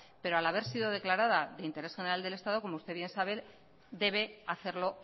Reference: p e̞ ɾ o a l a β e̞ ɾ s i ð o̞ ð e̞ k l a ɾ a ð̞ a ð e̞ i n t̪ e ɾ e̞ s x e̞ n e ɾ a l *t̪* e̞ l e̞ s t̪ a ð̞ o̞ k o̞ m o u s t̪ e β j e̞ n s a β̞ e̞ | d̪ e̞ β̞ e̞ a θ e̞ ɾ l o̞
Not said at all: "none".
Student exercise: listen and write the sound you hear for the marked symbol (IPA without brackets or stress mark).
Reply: d̪